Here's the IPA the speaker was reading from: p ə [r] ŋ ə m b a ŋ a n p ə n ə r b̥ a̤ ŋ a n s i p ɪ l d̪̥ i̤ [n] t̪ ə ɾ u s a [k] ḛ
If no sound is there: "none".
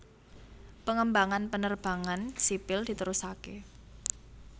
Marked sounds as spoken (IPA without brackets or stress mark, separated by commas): none, none, k